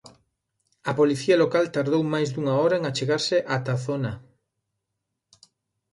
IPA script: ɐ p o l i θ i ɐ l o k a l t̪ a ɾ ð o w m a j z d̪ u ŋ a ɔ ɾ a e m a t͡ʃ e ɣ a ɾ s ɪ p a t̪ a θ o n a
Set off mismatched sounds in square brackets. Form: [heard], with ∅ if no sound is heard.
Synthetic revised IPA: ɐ p o l i θ i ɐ l o k a l t̪ a ɾ ð o w m a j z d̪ u ŋ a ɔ ɾ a e [ŋ] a t͡ʃ e ɣ a ɾ s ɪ [ʔ] a t̪ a θ o n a